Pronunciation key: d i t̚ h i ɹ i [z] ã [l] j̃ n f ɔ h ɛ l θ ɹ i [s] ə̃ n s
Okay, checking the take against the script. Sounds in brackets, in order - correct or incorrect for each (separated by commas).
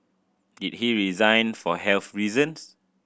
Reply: correct, incorrect, incorrect